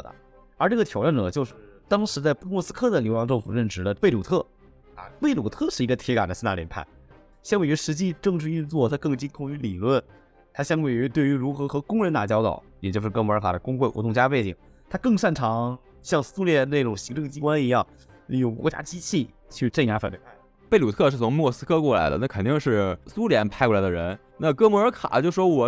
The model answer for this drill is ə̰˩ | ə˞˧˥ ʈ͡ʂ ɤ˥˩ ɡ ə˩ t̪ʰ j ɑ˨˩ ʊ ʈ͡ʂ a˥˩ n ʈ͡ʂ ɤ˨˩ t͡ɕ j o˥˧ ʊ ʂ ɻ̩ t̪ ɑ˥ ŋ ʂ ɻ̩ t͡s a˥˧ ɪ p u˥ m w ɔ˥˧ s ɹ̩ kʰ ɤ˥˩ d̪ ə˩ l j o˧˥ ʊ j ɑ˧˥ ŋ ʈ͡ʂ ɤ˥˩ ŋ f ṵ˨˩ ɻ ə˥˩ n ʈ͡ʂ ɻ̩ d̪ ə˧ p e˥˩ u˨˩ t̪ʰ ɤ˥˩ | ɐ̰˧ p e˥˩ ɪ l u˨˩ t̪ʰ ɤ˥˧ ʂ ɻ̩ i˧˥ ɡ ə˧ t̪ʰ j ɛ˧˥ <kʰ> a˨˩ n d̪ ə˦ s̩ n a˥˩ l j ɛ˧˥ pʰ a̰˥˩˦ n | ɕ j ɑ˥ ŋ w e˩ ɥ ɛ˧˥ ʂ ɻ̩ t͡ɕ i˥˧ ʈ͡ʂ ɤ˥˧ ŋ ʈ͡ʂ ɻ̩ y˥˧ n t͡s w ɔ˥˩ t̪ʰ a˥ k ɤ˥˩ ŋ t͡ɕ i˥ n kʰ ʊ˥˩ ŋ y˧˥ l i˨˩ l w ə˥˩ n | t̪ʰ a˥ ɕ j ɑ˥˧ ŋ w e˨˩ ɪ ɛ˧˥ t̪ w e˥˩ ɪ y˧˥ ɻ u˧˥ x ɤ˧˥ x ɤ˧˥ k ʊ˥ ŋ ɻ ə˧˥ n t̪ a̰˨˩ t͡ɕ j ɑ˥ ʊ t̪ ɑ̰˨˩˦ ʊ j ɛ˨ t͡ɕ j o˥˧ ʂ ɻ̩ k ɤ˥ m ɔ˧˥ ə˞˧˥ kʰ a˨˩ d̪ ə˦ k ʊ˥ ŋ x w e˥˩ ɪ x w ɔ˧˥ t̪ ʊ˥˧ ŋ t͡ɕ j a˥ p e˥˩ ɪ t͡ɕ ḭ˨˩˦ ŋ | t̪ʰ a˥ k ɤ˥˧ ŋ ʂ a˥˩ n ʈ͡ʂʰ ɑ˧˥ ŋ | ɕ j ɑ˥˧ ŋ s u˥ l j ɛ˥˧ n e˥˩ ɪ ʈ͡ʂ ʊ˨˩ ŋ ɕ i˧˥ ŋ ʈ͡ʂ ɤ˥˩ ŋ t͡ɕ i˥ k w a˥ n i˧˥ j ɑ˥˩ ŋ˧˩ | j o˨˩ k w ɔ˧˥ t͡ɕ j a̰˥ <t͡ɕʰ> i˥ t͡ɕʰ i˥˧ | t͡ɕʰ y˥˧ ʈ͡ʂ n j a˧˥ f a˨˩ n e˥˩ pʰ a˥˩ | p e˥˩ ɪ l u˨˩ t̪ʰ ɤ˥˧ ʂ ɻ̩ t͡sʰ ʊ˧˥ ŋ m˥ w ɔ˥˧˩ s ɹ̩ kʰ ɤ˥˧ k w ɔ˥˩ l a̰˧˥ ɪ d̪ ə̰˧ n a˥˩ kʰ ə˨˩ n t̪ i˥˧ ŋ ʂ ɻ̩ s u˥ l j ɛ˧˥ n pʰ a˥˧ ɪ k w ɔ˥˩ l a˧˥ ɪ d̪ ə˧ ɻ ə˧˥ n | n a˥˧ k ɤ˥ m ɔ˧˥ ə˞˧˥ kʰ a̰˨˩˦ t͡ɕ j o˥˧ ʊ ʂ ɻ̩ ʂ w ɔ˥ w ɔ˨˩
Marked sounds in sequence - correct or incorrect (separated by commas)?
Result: incorrect, incorrect